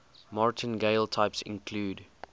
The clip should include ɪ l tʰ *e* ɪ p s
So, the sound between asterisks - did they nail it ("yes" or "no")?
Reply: no